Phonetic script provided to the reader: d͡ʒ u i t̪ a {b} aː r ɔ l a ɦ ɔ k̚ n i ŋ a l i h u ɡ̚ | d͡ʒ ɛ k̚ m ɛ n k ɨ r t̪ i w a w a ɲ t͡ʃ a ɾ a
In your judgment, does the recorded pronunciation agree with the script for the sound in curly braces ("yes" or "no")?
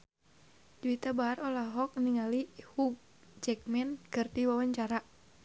yes